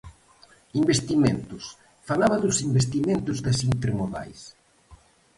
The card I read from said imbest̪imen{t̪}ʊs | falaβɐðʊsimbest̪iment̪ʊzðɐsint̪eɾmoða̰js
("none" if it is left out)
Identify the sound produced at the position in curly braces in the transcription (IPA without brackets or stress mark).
t̪